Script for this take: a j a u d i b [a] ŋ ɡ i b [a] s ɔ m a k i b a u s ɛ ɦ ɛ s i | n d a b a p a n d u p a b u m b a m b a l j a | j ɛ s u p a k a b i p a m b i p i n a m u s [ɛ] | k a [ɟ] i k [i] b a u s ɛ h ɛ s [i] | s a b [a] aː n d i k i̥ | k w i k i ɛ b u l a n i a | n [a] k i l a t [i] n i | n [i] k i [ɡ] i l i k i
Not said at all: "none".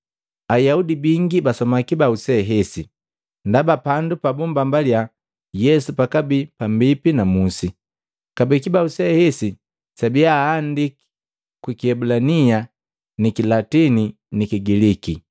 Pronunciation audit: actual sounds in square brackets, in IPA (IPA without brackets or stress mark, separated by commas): i, a, i, b, i, i, i, i, i, i, ɡ